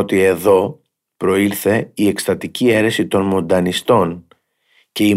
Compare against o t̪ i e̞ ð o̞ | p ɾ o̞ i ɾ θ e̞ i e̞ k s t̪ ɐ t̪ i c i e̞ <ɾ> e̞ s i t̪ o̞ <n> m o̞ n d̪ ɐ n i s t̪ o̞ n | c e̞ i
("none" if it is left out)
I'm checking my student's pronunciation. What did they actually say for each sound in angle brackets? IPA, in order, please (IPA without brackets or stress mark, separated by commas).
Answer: ɾ, n